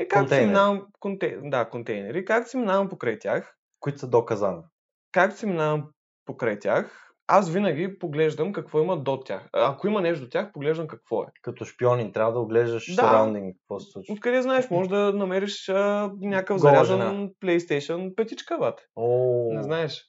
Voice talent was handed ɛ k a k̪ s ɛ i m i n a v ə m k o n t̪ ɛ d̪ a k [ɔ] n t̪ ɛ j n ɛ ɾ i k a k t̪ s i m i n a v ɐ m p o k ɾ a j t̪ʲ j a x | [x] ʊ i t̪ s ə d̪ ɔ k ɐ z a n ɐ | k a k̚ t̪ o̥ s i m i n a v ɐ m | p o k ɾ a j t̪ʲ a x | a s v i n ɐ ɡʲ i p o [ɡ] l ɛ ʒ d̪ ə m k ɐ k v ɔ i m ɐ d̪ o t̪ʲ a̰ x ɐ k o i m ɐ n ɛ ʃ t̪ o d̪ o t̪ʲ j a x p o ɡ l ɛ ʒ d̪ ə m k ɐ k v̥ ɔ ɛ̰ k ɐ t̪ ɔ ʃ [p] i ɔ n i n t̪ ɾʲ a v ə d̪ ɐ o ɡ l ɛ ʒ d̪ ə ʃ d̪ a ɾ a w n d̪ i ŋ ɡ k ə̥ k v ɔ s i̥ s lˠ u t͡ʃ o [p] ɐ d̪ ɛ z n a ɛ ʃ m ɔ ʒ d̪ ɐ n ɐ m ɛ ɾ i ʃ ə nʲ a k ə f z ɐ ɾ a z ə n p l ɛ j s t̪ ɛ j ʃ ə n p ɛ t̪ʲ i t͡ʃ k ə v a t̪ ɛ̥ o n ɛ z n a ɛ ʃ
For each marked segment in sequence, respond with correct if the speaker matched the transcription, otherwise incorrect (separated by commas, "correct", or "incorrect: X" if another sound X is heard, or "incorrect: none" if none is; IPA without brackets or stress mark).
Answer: incorrect: o, incorrect: k, correct, correct, incorrect: k